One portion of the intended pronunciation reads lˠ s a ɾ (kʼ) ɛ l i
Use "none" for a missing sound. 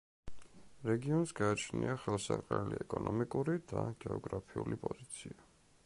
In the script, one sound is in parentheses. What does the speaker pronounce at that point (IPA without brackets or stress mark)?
qʼ